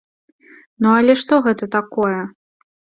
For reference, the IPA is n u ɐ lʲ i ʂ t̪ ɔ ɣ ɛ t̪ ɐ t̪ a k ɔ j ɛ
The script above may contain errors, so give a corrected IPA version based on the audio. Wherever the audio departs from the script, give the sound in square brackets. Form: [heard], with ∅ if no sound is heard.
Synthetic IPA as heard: n u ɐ lʲ [ɛ] ʂ t̪ ɔ ɣ ɛ t̪ ɐ t̪ a k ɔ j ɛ

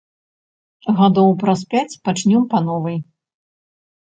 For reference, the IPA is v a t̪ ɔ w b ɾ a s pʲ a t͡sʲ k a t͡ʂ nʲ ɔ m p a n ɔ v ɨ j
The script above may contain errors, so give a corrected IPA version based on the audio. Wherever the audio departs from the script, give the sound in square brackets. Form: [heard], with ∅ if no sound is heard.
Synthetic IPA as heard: [ɣ] a [d̪] ɔ w [p] ɾ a s pʲ a t͡sʲ [p] a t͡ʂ nʲ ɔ m p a n ɔ v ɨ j

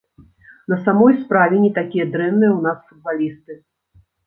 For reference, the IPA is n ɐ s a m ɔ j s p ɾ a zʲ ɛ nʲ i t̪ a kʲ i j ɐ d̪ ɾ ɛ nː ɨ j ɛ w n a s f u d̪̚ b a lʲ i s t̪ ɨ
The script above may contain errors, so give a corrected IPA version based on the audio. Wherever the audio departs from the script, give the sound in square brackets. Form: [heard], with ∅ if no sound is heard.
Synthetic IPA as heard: n ɐ s a m ɔ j s p ɾ a [vʲ] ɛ nʲ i t̪ a kʲ i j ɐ d̪ ɾ ɛ nː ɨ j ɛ w n a s f u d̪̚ b a lʲ i s t̪ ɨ

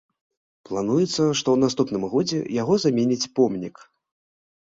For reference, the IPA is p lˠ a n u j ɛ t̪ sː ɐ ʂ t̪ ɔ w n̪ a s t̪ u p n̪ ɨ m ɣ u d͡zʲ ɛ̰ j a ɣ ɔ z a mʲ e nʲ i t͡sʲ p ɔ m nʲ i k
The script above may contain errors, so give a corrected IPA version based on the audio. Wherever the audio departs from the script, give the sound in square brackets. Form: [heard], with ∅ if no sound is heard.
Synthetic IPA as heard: p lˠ a n u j ɛ t̪ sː ɐ ʂ t̪ ɔ w n̪ a s t̪ u p n̪ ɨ m ɣ [ɔ] d͡zʲ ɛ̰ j a ɣ ɔ z a mʲ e nʲ i t͡sʲ p ɔ m nʲ i k

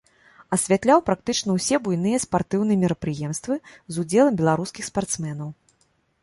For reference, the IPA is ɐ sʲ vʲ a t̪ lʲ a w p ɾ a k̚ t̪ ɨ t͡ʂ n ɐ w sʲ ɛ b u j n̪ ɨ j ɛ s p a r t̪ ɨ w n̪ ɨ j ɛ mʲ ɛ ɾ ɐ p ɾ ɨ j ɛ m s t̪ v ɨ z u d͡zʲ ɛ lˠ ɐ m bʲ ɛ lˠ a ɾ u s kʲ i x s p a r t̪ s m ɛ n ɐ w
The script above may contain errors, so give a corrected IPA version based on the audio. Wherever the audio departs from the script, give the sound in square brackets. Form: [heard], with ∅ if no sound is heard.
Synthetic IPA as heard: ɐ sʲ vʲ a t̪ lʲ a w p ɾ a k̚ t̪ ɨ t͡ʂ n ɐ w sʲ ɛ b u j n̪ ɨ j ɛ s p a r t̪ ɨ w n̪ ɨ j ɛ mʲ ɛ ɾ ɐ p ɾ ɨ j ɛ m s t̪ v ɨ z u d͡zʲ ɛ lˠ ɐ m bʲ ɛ lˠ a ɾ u s kʲ i x s p a r t̪ s m ɛ n ɐ w

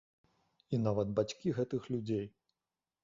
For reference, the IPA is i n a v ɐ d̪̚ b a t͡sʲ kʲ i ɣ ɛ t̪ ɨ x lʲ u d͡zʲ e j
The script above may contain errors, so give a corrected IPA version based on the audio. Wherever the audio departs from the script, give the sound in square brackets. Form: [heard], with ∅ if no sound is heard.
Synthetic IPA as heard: i n a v ɐ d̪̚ b a t͡sʲ kʲ i ɣ ɛ t̪ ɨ x lʲ u d͡zʲ e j

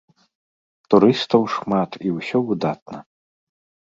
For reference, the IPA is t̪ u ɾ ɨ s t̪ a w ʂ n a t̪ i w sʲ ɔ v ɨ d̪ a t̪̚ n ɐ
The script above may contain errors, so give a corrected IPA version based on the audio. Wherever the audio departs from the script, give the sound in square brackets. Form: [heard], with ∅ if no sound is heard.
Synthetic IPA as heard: t̪ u ɾ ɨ s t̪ [ɐ] w ʂ [m] a t̪ i w sʲ ɔ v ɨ d̪ a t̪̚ n ɐ

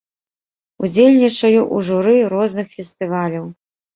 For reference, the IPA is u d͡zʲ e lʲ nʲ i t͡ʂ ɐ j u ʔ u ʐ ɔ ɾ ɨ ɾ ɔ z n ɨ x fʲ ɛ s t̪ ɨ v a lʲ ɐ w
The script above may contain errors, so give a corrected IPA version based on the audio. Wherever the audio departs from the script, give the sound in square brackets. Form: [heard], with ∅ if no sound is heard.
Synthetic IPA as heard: u d͡zʲ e lʲ nʲ i t͡ʂ ɐ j u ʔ u ʐ [u] ɾ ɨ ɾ ɔ z n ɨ x fʲ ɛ s t̪ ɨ v a lʲ ɐ w

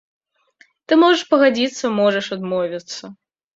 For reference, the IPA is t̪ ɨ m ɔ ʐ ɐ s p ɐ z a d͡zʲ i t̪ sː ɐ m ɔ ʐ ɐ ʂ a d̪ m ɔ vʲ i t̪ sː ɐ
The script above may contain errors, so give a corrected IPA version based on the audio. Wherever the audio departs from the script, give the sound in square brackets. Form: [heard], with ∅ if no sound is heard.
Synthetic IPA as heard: t̪ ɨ m ɔ ʐ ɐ [ʂ] p ɐ [ɣ] a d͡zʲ i t̪ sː ɐ m ɔ ʐ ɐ ʂ a d̪ m ɔ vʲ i t̪ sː ɐ

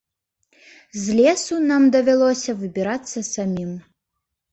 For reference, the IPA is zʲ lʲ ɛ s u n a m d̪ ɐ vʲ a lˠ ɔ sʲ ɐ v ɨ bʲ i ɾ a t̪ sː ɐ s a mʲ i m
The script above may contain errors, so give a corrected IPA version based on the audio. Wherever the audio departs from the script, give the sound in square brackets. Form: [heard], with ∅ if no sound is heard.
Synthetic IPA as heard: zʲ lʲ ɛ s u n a m d̪ ɐ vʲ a lˠ ɔ sʲ ɐ v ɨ bʲ i ɾ a t̪ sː ɐ s a mʲ i m

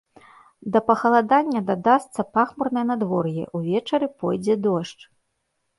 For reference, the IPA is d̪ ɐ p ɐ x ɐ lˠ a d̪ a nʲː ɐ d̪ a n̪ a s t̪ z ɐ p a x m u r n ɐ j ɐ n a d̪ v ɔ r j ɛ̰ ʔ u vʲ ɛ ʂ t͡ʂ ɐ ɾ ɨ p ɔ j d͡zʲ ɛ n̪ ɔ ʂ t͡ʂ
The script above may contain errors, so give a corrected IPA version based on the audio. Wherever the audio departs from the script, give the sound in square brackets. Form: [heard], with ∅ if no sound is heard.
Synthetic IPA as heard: d̪ ɐ p ɐ x ɐ lˠ a d̪ a nʲː ɐ d̪ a [d̪] a s t̪ [s] ɐ p a x m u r n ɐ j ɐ n a d̪ v ɔ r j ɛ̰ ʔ u vʲ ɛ [∅] t͡ʂ ɐ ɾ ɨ p ɔ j d͡zʲ ɛ [d̪] ɔ ʂ t͡ʂ

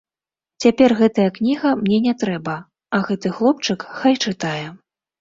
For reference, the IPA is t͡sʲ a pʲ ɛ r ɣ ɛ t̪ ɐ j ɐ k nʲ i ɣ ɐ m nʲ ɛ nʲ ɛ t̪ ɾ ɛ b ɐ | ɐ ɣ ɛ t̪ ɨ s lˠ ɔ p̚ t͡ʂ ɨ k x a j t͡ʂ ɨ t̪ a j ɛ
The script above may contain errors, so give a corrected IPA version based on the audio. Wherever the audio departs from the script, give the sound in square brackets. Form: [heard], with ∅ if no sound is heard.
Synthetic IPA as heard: t͡sʲ a pʲ ɛ r ɣ ɛ t̪ ɐ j ɐ k nʲ i ɣ ɐ m nʲ ɛ nʲ ɛ t̪ ɾ ɛ b ɐ | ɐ ɣ ɛ t̪ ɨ [x] lˠ ɔ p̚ t͡ʂ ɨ k x a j t͡ʂ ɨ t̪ a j ɛ

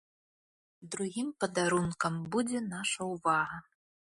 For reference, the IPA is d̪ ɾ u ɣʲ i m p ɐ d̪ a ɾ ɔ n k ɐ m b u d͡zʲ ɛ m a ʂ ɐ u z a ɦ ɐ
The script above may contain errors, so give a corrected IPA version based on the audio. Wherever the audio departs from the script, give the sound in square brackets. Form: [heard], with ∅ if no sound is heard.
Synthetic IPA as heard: d̪ ɾ u ɣʲ i m p ɐ d̪ a ɾ [u] n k ɐ m b u d͡zʲ ɛ [n] a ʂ ɐ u [v] a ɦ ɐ

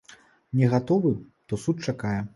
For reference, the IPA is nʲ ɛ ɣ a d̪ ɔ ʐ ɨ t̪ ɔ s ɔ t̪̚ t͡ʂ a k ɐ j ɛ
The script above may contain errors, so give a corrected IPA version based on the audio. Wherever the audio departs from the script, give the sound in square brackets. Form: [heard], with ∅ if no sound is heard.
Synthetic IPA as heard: nʲ ɛ ɣ a [t̪] ɔ [v] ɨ t̪ ɔ s [u] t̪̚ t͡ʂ a k [a] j ɛ

